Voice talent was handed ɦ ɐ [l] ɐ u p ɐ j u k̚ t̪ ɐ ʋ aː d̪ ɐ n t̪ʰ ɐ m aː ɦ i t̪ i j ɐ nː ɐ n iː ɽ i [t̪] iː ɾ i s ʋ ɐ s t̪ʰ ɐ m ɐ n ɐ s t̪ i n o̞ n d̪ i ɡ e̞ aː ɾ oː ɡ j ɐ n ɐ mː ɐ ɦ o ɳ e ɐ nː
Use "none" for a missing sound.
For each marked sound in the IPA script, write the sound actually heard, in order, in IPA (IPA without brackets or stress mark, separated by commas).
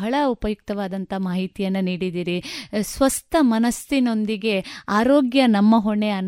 ɭ, d̪